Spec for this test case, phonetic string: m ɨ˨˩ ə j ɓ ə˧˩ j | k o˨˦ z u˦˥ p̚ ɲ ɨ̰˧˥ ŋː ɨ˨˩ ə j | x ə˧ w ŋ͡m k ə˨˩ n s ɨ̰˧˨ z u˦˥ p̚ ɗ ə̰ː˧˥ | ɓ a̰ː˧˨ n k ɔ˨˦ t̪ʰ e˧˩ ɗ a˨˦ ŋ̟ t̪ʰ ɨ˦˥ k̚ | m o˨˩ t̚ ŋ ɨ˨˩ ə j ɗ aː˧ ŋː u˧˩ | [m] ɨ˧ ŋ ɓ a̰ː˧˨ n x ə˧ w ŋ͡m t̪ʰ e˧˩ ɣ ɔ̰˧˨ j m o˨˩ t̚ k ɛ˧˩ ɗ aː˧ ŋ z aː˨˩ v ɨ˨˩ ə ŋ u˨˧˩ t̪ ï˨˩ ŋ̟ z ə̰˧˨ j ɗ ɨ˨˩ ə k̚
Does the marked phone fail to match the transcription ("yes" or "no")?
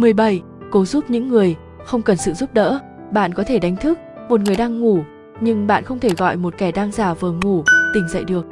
yes